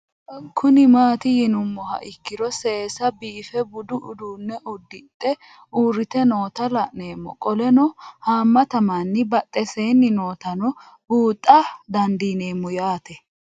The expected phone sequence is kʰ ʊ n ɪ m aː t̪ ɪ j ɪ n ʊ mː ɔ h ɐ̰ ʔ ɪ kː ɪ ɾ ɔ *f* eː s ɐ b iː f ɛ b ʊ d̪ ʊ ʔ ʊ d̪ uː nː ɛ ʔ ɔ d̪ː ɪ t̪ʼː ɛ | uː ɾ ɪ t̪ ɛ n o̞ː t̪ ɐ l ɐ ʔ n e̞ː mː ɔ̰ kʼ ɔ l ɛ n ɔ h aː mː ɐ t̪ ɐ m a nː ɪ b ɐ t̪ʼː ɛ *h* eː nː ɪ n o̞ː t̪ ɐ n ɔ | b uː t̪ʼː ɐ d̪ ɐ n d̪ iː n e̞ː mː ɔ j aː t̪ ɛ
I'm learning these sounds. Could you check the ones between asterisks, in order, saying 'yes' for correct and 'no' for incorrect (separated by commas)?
no, no